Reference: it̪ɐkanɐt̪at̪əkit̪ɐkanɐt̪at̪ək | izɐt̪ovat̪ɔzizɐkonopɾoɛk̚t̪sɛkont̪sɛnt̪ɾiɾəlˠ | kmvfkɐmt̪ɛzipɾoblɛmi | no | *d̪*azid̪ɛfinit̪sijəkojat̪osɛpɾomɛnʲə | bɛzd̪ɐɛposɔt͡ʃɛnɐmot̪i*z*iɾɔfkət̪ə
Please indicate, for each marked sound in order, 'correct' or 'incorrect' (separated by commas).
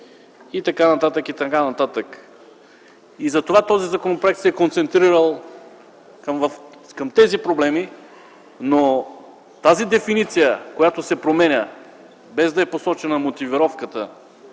incorrect, incorrect